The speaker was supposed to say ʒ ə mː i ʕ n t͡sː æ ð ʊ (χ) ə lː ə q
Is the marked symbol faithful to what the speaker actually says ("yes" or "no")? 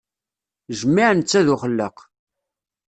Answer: yes